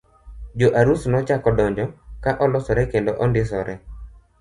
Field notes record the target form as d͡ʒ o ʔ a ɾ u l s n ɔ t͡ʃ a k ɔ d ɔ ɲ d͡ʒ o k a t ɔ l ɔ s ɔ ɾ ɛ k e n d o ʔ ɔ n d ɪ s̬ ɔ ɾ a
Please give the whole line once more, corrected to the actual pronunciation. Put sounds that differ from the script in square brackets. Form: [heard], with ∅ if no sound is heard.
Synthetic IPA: d͡ʒ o ʔ a ɾ u [∅] s n ɔ t͡ʃ a k ɔ d ɔ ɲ d͡ʒ [ɔ] k a [ʔ] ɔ l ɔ s ɔ ɾ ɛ k e n d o ʔ ɔ n d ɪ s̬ ɔ ɾ [ɛ]